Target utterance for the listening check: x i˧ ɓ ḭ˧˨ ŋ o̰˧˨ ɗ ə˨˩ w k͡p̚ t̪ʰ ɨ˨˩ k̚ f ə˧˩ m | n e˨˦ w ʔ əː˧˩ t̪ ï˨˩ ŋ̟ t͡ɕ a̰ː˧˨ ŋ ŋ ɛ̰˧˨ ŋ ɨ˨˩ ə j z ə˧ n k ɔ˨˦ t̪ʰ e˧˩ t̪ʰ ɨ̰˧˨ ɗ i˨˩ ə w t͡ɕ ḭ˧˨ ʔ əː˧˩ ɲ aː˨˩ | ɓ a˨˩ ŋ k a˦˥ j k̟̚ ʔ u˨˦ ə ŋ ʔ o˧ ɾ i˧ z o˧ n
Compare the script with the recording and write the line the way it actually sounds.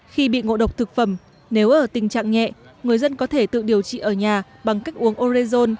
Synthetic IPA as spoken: x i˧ ɓ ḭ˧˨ ŋ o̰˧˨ ɗ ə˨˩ w k͡p̚ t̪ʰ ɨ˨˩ k̚ f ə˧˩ m | n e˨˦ w ʔ əː˧˩ t̪ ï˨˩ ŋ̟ t͡ɕ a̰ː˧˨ ŋ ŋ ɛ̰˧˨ ŋ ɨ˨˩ ə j z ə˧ n k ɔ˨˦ t̪ʰ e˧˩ t̪ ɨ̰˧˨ ɗ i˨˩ ə w t͡ɕ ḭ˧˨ ʔ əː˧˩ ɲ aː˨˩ | ɓ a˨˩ ŋ k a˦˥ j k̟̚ ʔ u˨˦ ə ŋ ʔ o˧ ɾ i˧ z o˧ n

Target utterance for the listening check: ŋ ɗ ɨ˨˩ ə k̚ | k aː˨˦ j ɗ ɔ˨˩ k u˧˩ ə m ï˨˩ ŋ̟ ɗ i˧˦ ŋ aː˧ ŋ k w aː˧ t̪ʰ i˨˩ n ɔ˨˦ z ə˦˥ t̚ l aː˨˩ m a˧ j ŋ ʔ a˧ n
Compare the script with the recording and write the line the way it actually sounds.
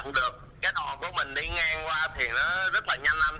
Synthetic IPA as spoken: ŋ ɗ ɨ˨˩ ə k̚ | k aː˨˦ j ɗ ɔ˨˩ k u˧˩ ə m ï˨˩ ŋ̟ ɗ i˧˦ ŋ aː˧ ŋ k w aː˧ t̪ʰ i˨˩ n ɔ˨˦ z ə˦˥ t̚ l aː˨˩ ɲ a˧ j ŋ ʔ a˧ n

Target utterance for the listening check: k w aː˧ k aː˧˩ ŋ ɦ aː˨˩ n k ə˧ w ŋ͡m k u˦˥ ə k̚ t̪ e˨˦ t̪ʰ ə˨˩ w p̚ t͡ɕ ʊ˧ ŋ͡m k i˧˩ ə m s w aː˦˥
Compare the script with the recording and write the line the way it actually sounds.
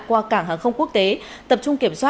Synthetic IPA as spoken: k w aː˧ k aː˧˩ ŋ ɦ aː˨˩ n x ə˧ w ŋ͡m k u˦˥ ə k̚ t̪ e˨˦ t̪ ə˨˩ p̚ t͡ɕ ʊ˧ ŋ͡m k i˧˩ ə m s w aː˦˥

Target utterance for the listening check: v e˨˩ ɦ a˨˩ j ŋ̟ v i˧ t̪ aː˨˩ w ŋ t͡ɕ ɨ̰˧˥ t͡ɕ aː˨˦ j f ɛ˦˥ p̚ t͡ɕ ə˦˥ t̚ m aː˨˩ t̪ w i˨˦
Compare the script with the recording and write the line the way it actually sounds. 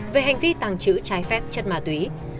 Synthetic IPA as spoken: v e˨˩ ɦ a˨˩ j ŋ̟ v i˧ t̪ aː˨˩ ŋ t͡ɕ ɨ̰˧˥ t͡ɕ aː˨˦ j f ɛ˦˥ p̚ t͡ɕ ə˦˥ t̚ m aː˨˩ t̪ w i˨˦

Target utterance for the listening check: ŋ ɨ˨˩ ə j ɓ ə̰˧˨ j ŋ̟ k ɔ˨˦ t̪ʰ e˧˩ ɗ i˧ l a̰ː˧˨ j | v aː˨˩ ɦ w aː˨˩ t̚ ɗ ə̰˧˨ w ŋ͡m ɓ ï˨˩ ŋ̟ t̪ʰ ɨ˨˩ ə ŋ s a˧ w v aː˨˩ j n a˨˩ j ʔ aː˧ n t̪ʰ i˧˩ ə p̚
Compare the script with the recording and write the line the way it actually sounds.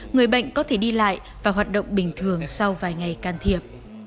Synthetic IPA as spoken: ŋ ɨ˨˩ ə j ɓ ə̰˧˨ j ŋ̟ k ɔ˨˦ t̪ʰ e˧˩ ɗ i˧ l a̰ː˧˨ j | v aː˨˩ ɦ w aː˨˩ t̚ ɗ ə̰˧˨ w ŋ͡m ɓ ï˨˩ ŋ̟ t̪ʰ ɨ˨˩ ə ŋ s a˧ w v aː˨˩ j ŋ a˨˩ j k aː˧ n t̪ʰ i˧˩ ə p̚

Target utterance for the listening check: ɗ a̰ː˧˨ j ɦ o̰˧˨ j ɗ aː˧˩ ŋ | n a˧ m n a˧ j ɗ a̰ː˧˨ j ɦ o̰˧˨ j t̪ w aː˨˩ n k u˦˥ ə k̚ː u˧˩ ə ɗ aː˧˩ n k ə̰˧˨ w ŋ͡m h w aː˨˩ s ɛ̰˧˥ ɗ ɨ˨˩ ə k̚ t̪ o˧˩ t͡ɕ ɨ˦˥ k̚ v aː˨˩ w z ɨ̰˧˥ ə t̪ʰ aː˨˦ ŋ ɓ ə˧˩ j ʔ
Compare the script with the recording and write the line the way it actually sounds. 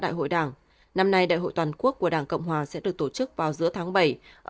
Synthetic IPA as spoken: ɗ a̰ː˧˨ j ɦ o̰˧˨ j ɗ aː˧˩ ŋ | n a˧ m n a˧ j ɗ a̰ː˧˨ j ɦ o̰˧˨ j t̪ w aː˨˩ n k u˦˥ ə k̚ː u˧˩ ə ɗ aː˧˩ ŋ k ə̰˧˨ w ŋ͡m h w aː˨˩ s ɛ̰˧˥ ɗ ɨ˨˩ ə k̚ t̪ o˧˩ t͡ɕ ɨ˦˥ k̚ v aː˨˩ w z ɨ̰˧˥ ə t̪ʰ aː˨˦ ŋ ɓ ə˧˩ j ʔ

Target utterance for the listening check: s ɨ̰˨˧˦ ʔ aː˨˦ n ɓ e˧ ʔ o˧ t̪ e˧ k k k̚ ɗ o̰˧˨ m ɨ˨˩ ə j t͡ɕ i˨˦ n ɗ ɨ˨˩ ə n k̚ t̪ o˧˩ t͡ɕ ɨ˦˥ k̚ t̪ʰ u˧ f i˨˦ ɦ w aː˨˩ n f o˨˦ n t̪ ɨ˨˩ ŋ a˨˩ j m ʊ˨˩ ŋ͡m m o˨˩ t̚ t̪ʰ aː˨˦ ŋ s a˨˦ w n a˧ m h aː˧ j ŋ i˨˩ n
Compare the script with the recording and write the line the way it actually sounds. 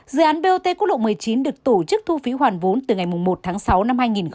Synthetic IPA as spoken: z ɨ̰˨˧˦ ʔ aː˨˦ n ɓ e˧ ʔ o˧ t̪ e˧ k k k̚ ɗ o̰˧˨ m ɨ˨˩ ə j t͡ɕ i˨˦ n ɗ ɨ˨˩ ə k̚ t̪ o˧˩ t͡ɕ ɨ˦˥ k̚ t̪ʰ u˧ f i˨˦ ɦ w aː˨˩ n v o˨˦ n t̪ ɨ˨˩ ŋ a˨˩ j m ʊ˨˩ ŋ͡m m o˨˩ t̚ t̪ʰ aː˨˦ ŋ s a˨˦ w n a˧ m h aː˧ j ŋ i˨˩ n

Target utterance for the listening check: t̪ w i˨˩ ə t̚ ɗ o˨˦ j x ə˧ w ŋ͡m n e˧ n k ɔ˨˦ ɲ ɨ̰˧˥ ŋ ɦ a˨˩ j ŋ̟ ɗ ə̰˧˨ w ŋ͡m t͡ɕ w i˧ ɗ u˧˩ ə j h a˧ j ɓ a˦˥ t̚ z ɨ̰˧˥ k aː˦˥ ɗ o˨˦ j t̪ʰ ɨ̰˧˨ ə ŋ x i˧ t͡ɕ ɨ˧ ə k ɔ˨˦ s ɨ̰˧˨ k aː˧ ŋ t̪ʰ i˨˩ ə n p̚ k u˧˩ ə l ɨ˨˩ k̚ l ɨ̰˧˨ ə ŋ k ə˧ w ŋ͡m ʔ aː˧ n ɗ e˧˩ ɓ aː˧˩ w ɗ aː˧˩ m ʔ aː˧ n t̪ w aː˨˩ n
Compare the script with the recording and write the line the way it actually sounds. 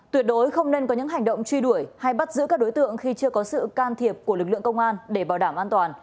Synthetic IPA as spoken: t̪ w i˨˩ ə t̚ ɗ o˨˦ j x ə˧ w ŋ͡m n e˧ n k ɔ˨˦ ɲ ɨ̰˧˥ ŋ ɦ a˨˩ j ŋ̟ ɗ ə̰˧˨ w ŋ͡m t͡ɕ w i˧ ɗ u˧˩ ə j h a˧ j ɓ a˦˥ t̚ z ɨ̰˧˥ k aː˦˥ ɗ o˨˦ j t̪ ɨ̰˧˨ ə ŋ x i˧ t͡ɕ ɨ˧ ə k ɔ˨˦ s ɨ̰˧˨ k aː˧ n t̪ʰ i˨˩ ə p̚ k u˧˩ ə l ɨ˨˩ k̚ l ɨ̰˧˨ ə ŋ k ə˧ w ŋ͡m ʔ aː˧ n ɗ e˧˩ ɓ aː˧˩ w ɗ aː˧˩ m ʔ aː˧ n t̪ w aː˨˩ n

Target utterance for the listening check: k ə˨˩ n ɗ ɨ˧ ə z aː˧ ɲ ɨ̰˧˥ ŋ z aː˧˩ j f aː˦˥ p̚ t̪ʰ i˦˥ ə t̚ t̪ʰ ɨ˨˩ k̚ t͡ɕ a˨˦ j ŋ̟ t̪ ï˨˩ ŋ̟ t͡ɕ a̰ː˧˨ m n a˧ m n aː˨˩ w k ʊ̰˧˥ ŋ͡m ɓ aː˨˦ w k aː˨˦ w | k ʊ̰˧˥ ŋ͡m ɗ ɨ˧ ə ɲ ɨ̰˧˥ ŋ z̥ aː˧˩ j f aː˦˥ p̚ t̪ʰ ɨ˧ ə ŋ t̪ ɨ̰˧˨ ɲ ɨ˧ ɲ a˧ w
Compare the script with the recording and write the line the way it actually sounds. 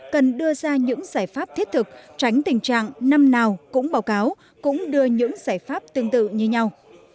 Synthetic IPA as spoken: k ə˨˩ n ɗ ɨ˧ ə z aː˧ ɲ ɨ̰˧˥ ŋ z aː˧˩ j f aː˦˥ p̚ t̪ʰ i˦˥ ə t̚ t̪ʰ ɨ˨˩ k̚ t͡ɕ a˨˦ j ŋ̟ t̪ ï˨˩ ŋ̟ t͡ɕ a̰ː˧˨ ŋ n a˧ m n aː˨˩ w k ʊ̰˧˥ ŋ͡m ɓ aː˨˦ w k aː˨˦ w | k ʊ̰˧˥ ŋ͡m ɗ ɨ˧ ə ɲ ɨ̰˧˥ ŋ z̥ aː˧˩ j f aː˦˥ p̚ t̪ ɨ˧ ə ŋ t̪ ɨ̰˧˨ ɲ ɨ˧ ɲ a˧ w

